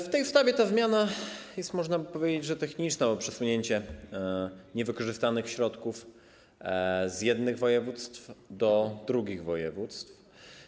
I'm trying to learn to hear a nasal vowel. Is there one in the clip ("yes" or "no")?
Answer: no